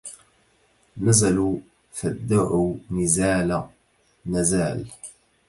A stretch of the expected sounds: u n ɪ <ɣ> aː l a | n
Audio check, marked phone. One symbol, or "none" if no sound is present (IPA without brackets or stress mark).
z